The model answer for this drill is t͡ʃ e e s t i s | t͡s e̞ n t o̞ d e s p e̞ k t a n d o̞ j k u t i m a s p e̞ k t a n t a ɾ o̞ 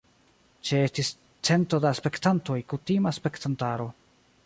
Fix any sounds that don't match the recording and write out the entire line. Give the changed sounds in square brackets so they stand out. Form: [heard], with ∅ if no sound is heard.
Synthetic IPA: t͡ʃ e e s t i s | t͡s e̞ n t o̞ d [a] s p e̞ k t a n [t] o̞ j k u t i m a s p e̞ k t a n t a ɾ o̞